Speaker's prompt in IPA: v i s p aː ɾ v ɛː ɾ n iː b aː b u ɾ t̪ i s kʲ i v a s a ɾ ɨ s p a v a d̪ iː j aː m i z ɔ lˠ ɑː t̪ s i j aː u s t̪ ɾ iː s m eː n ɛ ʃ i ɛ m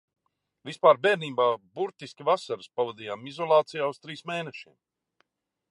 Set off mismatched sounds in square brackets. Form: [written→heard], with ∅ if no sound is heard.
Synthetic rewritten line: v i s p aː ɾ [v→b] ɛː ɾ n iː b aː b u ɾ t̪ i s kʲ i v a s a ɾ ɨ s p a v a d̪ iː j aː m i z ɔ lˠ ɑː t̪ s i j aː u s t̪ ɾ iː s m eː n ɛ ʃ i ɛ m